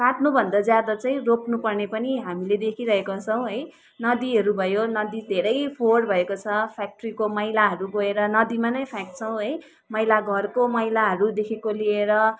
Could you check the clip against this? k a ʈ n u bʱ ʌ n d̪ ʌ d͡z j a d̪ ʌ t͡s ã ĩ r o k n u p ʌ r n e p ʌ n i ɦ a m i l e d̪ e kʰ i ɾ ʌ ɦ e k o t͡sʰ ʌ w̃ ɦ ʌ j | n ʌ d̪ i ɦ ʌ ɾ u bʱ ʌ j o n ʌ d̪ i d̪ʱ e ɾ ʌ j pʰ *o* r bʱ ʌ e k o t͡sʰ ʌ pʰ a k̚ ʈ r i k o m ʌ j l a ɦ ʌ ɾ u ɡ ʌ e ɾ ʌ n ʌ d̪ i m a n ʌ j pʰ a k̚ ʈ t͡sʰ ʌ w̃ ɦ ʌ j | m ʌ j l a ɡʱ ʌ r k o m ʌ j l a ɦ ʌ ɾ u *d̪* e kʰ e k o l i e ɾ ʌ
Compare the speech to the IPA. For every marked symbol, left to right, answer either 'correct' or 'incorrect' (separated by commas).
correct, correct